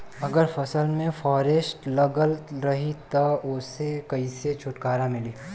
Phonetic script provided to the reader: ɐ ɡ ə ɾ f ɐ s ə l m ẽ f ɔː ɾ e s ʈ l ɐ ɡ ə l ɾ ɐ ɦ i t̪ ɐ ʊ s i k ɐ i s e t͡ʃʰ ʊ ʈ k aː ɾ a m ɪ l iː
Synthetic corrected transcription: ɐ ɡ ə ɾ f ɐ s ə l m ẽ f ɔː ɾ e s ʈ l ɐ ɡ ə l ɾ ɐ ɦ i t̪ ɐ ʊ s e k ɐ i s e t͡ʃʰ ʊ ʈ k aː ɾ a m ɪ l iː